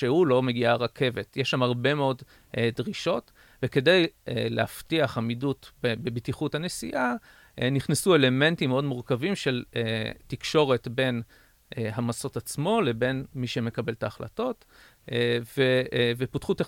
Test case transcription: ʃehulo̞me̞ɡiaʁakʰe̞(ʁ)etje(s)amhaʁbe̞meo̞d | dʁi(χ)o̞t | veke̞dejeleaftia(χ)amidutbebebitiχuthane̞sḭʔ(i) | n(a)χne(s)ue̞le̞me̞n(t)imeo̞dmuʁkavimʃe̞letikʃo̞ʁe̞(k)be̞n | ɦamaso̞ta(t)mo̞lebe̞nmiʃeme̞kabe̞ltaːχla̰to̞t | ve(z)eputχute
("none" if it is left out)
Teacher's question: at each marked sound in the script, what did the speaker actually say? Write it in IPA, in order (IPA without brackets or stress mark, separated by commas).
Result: v, ʃ, ʃ, χ, a, i, s, t, t, t͡s, v